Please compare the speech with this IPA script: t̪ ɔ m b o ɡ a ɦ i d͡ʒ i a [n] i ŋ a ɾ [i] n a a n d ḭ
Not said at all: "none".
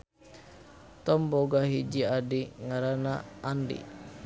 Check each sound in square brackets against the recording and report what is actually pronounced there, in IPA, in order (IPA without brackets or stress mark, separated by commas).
d, a